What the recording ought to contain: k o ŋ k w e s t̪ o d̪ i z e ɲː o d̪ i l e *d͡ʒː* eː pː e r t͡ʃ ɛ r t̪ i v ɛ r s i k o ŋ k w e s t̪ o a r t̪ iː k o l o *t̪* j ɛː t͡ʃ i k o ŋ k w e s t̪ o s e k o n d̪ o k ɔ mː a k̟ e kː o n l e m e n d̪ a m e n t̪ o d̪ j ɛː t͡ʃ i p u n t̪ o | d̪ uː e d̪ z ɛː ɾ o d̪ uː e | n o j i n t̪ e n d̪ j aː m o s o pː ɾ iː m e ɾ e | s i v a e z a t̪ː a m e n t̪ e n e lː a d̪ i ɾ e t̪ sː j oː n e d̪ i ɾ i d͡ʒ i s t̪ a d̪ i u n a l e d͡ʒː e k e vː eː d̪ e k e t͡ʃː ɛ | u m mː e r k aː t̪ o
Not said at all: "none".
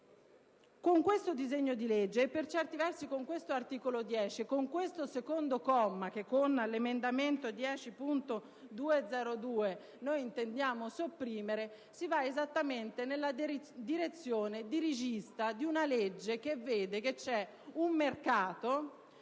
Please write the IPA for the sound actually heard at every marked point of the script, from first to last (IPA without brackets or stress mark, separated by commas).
d͡ʒː, d̪